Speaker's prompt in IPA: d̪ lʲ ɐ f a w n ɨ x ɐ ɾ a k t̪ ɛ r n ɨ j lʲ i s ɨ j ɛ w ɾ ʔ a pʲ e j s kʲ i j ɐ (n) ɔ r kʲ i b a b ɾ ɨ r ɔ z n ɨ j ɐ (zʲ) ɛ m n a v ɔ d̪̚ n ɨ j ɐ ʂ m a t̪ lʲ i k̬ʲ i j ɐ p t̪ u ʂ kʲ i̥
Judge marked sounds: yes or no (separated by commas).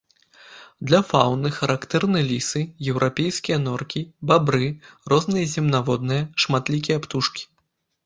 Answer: yes, yes